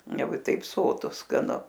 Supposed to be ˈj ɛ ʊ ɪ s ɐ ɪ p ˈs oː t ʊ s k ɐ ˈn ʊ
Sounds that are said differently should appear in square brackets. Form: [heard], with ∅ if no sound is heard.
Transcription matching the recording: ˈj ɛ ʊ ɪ [t] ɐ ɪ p ˈs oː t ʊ s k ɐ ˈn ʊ